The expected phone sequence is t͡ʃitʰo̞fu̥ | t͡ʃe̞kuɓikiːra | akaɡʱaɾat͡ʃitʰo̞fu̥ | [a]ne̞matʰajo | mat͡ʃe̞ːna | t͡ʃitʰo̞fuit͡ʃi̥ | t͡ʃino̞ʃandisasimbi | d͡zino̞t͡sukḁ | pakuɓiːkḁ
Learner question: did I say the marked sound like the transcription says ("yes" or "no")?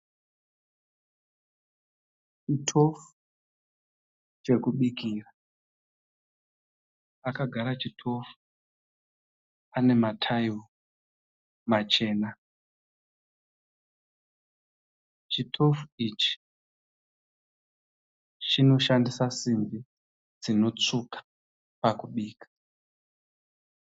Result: yes